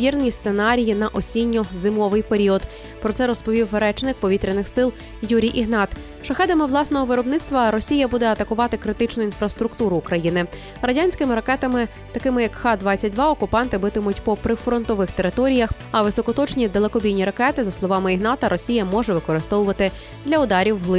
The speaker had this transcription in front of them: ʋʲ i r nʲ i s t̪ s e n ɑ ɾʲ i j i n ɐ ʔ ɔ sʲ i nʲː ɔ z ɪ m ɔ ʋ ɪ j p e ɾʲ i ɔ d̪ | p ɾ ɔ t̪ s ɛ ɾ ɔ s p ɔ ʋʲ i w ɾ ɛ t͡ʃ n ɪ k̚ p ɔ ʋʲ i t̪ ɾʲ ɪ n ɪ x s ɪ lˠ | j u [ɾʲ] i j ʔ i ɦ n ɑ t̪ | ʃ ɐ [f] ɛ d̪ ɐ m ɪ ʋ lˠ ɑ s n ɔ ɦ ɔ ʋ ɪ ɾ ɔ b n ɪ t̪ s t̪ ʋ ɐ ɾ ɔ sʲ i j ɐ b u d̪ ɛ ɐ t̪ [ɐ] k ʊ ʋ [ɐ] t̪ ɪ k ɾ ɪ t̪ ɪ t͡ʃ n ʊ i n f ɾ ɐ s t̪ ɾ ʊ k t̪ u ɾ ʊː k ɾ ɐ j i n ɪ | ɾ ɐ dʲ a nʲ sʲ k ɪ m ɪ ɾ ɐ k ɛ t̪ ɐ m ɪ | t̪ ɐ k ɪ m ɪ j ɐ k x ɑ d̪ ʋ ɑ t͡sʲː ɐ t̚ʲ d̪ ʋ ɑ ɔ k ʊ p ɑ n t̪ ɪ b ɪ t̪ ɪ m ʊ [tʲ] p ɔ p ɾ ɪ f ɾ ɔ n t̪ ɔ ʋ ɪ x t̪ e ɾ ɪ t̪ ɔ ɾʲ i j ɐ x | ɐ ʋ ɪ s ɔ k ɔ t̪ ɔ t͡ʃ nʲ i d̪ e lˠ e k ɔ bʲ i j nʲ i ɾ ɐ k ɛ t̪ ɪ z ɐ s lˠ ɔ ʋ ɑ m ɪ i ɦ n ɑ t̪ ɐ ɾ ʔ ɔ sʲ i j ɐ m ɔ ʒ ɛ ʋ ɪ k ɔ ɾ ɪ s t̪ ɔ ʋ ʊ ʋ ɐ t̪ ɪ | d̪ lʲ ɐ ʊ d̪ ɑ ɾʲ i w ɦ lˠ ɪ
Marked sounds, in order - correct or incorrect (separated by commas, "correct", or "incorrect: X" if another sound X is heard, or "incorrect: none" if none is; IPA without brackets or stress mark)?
correct, incorrect: x, correct, incorrect: ɑ, correct